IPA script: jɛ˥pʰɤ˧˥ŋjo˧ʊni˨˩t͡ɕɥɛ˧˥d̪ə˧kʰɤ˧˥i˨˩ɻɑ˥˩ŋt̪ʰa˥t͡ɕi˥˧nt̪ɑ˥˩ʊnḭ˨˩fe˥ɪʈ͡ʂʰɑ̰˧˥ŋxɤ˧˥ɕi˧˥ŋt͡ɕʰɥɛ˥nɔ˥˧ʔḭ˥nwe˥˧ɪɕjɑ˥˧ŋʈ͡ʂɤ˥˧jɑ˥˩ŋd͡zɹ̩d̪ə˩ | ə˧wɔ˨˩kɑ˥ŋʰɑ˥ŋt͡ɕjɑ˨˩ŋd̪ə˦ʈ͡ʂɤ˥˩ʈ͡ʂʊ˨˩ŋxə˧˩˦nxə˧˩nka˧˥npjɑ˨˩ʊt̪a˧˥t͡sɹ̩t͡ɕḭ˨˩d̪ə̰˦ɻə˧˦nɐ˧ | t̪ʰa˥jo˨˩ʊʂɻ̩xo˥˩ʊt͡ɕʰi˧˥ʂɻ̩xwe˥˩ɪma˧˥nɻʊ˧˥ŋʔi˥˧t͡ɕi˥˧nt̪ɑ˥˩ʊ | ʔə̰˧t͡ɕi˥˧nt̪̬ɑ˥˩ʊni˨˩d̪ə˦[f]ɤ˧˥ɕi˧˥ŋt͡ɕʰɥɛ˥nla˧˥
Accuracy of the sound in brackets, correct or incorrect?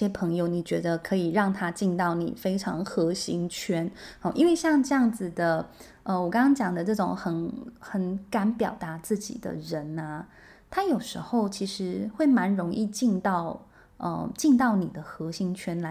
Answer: incorrect